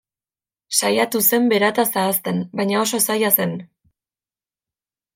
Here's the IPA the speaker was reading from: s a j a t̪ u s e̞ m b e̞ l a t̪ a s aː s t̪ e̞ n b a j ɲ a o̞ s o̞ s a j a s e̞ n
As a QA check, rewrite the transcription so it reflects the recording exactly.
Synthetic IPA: s a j a t̪ u s e̞ m b e̞ ɾ a t̪ a s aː s t̪ e̞ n b a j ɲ a o̞ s o̞ s a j a s e̞ n